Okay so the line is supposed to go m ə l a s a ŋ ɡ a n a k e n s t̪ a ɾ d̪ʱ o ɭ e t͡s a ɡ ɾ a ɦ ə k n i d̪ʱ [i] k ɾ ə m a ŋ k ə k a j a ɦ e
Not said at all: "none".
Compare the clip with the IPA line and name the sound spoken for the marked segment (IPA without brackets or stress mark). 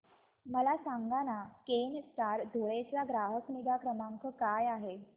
a